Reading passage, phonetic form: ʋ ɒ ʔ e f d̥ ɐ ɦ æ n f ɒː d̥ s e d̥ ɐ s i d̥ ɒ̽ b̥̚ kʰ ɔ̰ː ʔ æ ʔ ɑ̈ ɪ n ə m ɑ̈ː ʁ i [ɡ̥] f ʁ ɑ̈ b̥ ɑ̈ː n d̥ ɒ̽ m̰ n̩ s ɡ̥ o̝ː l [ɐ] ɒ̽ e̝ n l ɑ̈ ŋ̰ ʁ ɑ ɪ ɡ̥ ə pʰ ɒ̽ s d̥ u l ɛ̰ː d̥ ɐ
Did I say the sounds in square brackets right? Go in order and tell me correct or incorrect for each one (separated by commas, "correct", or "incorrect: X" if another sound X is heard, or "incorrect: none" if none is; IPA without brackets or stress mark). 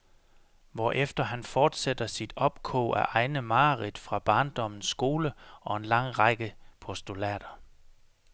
incorrect: d̥, incorrect: ə